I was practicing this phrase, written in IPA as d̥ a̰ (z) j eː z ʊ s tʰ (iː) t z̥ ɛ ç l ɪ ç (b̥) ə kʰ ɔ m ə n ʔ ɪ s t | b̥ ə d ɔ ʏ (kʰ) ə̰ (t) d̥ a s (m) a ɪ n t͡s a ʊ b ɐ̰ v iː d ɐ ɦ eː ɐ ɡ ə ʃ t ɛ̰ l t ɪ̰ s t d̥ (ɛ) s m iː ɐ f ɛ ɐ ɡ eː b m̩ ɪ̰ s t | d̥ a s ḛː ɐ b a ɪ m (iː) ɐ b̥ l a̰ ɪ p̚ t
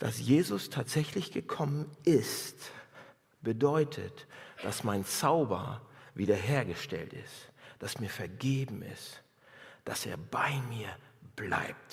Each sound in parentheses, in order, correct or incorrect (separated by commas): incorrect, incorrect, incorrect, incorrect, correct, correct, incorrect, correct